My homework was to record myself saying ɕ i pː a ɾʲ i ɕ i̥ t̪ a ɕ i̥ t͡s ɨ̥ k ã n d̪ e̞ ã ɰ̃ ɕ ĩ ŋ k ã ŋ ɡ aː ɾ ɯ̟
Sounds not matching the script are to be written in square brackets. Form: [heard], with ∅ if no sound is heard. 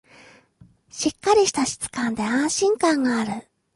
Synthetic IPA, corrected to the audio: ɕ i [kː] a ɾʲ i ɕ i̥ t̪ a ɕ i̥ t͡s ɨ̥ k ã n d̪ e̞ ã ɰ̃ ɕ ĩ ŋ k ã ŋ ɡ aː ɾ ɯ̟